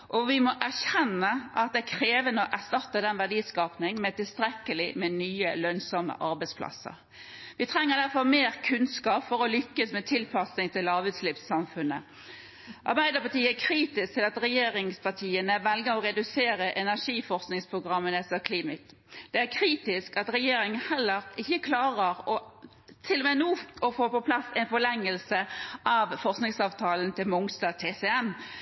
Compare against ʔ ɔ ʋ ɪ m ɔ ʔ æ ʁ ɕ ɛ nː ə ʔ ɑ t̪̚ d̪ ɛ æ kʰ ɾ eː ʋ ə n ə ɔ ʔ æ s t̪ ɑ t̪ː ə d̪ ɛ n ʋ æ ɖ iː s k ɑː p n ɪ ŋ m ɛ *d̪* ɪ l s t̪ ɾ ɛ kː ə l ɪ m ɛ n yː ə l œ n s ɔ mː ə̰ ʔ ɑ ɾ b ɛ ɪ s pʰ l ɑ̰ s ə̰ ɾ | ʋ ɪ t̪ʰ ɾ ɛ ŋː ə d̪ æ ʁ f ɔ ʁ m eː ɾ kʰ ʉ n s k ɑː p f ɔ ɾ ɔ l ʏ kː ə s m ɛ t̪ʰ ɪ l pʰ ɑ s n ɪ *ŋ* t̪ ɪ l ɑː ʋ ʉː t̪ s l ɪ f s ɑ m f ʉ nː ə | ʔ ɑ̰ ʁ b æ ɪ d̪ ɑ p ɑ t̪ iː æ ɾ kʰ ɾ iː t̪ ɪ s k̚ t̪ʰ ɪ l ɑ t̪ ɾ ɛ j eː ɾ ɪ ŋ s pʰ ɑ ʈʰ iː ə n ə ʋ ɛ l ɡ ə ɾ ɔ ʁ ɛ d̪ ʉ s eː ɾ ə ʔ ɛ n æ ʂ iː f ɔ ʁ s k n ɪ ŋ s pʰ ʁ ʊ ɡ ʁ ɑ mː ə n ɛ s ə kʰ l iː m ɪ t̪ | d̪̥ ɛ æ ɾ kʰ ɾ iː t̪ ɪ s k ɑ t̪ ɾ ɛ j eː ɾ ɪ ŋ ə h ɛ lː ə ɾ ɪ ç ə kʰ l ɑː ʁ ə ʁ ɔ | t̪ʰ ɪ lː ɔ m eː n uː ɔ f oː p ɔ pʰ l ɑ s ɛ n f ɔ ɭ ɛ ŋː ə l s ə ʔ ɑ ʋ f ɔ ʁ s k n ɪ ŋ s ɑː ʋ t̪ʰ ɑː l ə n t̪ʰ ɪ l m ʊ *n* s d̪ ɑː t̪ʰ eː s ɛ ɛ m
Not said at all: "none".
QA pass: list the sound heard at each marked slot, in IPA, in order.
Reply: t̪, ŋ, ŋ

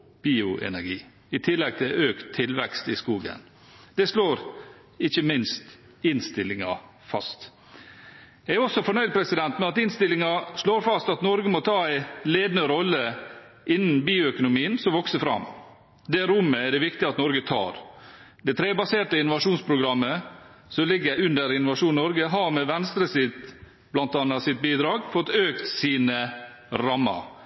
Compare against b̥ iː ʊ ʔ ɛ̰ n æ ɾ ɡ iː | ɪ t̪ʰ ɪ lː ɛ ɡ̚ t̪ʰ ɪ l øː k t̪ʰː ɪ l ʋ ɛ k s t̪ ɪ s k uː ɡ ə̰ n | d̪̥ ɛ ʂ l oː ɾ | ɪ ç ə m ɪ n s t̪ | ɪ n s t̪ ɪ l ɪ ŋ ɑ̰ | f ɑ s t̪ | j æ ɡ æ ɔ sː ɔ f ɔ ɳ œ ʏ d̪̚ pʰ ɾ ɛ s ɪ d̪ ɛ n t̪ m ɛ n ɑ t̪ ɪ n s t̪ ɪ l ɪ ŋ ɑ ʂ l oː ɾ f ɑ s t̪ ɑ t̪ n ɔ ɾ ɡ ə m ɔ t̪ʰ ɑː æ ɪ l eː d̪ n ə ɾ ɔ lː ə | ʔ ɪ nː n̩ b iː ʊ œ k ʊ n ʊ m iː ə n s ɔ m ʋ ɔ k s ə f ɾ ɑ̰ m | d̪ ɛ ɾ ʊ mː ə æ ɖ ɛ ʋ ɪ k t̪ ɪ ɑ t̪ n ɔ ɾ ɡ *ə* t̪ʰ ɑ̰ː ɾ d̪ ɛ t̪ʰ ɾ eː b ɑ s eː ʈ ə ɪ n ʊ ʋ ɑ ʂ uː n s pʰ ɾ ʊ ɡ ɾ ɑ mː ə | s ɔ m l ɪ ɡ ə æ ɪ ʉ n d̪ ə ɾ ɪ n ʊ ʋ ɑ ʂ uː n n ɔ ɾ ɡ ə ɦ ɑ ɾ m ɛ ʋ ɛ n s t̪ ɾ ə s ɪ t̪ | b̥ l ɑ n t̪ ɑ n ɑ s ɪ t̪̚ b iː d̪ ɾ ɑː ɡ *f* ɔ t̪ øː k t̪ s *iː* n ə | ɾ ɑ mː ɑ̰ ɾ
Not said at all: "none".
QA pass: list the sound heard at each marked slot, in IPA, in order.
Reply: ə, f, iː

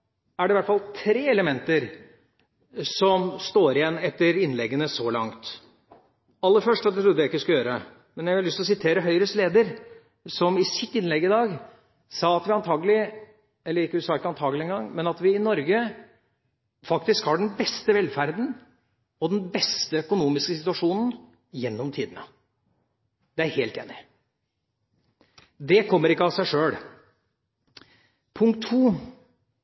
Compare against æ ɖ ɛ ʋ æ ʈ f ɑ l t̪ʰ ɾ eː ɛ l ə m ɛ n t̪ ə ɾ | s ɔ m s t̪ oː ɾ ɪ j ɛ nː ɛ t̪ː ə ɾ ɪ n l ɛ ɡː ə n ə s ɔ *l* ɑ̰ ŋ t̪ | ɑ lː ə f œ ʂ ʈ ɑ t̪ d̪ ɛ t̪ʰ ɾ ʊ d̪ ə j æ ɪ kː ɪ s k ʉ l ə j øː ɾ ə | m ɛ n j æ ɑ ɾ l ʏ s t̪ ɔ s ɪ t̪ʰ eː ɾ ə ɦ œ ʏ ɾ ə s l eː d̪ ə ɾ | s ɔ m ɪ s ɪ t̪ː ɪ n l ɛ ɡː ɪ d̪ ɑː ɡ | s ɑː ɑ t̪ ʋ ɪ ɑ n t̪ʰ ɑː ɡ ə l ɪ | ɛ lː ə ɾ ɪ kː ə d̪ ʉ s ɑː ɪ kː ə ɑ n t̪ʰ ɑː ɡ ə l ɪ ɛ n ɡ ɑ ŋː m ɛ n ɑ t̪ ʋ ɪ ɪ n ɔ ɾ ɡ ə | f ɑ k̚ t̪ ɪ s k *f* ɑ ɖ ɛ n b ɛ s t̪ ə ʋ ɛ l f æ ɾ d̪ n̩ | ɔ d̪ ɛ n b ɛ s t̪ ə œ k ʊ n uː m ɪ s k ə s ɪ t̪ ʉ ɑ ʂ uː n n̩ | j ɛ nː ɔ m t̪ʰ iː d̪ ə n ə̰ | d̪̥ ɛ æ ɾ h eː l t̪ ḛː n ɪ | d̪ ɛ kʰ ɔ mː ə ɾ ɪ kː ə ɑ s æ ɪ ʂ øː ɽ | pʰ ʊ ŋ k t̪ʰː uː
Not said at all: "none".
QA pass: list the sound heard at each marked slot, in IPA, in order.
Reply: l, h

